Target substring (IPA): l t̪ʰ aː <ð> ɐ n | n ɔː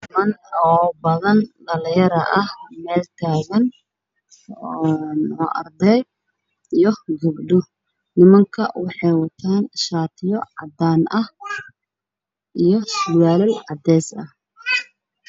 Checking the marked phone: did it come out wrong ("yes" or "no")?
yes